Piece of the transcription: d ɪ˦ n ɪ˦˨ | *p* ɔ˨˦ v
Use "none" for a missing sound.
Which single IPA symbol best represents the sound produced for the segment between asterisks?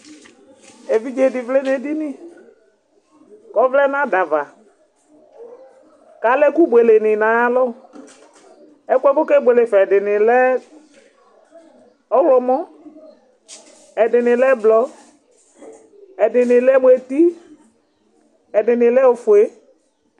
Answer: k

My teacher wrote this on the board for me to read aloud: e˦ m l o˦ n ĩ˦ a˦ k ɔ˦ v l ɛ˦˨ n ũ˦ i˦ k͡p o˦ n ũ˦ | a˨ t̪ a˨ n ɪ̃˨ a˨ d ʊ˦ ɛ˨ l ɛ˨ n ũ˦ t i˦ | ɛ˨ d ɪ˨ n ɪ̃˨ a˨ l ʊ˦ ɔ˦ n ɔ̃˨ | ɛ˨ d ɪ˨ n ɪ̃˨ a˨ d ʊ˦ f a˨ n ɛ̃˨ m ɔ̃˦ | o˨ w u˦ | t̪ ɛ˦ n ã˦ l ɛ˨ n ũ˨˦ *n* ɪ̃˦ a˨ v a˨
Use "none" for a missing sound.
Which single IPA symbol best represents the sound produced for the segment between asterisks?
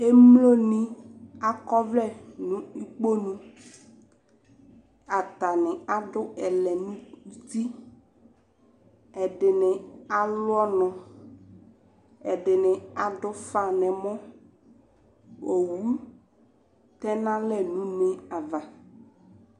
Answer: n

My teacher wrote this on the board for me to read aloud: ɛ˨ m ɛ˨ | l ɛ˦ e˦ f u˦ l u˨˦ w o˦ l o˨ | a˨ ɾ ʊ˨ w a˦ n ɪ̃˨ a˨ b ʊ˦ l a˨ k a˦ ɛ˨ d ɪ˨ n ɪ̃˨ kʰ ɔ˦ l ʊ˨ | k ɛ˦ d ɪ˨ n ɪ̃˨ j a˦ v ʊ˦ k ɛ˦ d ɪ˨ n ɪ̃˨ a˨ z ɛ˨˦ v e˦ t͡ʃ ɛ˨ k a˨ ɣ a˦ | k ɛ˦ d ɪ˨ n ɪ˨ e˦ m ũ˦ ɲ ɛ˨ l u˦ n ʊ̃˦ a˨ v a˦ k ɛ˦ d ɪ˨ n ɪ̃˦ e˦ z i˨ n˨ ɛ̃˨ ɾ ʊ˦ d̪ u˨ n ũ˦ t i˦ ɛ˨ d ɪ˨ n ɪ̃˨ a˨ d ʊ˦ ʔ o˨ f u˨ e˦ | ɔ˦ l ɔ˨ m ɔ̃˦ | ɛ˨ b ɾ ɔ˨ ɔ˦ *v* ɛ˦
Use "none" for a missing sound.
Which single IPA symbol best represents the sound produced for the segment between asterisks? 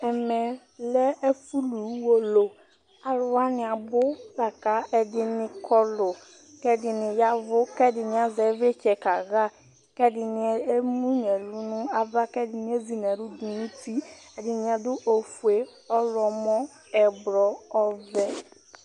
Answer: v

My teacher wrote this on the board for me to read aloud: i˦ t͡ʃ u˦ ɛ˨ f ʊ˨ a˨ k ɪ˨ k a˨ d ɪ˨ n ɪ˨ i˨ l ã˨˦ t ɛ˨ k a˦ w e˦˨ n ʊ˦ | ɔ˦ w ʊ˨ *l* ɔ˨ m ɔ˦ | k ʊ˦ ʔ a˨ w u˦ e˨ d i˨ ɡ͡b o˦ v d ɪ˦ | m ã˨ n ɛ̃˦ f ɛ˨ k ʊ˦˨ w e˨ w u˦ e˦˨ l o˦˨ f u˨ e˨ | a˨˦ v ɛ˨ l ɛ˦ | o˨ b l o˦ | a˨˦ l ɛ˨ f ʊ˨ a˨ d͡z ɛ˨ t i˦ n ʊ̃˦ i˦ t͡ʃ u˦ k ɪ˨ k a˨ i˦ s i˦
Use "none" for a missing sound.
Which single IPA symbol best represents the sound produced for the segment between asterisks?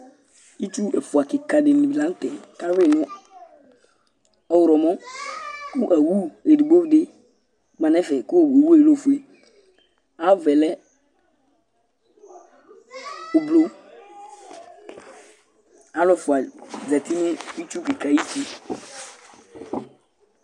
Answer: ɾ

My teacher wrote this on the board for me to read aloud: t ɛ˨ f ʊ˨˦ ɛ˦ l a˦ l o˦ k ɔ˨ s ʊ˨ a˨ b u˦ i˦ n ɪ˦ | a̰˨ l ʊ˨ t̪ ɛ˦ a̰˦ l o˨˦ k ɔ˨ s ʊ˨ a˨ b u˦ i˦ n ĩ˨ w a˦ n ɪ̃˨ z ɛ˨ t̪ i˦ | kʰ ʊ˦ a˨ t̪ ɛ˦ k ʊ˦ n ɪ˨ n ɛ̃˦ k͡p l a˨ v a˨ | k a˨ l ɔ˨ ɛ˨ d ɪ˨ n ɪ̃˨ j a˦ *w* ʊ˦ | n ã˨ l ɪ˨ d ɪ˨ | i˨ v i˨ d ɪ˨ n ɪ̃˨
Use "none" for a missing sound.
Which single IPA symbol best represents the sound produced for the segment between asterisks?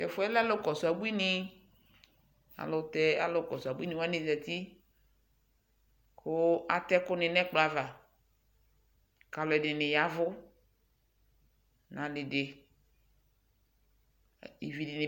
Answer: v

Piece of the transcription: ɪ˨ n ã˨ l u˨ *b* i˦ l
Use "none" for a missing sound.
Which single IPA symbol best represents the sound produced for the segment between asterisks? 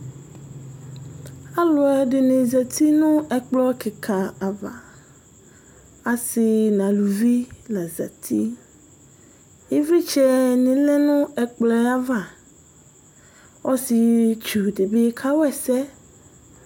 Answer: v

